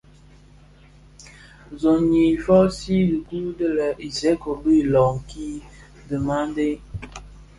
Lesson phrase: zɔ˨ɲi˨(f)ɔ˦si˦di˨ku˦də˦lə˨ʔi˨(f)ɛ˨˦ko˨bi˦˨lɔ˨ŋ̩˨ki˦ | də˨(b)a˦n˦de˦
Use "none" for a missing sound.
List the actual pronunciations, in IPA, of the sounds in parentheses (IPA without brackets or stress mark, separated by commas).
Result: f, s, m